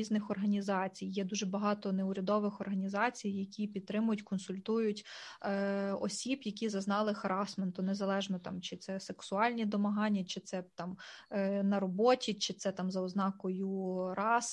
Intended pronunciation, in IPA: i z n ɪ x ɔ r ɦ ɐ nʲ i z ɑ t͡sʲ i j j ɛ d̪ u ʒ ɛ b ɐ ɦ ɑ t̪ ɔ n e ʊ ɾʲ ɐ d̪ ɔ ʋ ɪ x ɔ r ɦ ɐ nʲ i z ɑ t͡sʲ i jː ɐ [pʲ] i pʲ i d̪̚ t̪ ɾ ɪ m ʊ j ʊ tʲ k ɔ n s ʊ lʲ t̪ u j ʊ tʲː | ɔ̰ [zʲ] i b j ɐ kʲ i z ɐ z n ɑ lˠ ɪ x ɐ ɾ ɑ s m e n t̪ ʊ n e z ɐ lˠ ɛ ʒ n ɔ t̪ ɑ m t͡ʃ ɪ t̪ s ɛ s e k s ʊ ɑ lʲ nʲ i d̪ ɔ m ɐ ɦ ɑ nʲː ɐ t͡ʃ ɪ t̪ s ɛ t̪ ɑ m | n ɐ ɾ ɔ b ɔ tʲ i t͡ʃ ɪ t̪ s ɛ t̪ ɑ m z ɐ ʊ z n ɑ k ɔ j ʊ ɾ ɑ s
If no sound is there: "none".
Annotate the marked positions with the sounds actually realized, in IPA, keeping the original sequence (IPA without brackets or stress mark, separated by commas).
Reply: kʲ, sʲ